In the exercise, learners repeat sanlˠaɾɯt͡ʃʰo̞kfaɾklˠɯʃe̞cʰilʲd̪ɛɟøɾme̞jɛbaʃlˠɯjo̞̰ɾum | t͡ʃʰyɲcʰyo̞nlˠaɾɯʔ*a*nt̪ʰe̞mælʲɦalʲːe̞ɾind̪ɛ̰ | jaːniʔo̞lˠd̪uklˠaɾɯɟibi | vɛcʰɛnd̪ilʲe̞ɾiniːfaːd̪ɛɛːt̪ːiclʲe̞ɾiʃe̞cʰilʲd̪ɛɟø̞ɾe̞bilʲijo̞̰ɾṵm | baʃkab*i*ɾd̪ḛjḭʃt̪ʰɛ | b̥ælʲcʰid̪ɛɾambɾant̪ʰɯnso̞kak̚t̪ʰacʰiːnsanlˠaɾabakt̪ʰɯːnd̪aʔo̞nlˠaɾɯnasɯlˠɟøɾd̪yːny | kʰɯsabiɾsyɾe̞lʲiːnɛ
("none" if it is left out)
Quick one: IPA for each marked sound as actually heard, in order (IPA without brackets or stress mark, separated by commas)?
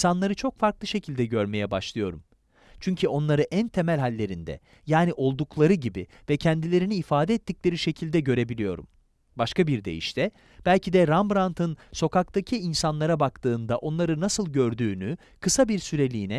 æ, i